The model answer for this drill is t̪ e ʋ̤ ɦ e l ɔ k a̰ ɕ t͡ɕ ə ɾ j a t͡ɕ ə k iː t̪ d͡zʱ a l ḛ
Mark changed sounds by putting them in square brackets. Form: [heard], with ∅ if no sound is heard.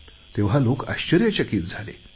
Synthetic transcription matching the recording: t̪ e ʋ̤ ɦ [a] l [o] k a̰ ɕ t͡ɕ ə ɾ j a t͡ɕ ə k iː t̪ d͡zʱ a l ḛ